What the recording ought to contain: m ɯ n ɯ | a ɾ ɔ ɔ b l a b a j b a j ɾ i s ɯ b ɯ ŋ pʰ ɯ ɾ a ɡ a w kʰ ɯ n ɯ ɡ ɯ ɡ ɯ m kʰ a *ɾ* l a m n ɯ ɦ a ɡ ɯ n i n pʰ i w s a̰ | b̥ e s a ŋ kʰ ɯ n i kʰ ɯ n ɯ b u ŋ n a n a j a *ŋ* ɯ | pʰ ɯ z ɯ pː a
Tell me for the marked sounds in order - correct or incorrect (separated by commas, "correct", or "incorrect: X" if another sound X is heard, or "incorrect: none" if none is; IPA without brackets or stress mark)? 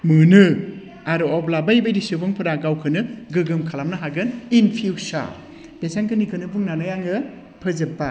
incorrect: none, correct